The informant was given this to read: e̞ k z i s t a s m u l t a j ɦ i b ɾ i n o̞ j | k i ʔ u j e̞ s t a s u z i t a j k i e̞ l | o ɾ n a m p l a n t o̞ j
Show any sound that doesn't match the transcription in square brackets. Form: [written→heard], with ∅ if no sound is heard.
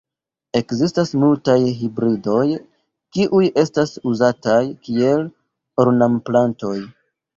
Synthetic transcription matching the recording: e̞ k z i s t a s m u l t a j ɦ i b ɾ i [n→d] o̞ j | k i ʔ u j e̞ s t a s u z [i→a] t a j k i e̞ l | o ɾ n a m p l a n t o̞ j